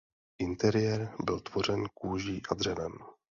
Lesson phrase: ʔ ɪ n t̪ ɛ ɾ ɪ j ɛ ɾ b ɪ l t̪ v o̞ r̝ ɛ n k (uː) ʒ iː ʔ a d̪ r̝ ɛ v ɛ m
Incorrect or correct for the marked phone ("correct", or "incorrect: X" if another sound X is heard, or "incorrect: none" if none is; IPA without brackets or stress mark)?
correct